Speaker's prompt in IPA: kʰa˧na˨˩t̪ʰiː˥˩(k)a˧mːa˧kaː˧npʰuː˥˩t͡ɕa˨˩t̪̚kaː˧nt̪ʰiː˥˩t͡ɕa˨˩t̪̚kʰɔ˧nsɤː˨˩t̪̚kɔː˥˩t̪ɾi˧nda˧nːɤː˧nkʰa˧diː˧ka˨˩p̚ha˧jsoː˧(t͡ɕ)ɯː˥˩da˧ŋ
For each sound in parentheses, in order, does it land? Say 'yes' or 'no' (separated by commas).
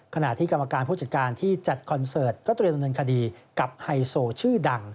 yes, no